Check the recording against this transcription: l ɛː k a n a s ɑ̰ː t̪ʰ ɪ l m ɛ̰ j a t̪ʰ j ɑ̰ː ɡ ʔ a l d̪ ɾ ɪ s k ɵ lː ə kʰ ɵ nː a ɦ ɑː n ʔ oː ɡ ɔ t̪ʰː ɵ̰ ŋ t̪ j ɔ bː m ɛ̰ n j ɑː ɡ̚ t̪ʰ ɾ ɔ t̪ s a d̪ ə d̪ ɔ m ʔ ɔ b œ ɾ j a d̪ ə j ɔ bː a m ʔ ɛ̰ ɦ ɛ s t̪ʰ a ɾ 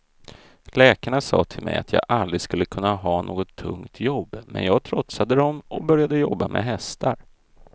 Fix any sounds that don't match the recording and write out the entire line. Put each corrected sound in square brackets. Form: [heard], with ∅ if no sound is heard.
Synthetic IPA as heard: l ɛː k a [ɳ] a s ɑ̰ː t̪ʰ ɪ l m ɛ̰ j a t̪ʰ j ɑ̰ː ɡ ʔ a l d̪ ɾ ɪ s k ɵ lː ə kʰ ɵ nː a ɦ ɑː n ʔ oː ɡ ɔ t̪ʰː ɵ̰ ŋ t̪ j ɔ bː m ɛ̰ n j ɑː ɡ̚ t̪ʰ ɾ ɔ t̪ s a d̪ ə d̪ ɔ m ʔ ɔ b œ ɾ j a d̪ ə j ɔ bː a m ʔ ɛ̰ ɦ ɛ s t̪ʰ a ɾ